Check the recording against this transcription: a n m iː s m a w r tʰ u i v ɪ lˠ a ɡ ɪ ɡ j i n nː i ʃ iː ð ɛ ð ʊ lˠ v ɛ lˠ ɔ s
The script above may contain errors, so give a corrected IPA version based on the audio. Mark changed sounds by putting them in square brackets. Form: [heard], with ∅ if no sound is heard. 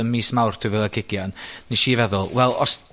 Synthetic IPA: [ə] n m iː s m a w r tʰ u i v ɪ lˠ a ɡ ɪ ɡ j [a] n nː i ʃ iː [v] ɛ ð ʊ lˠ [w] ɛ lˠ ɔ s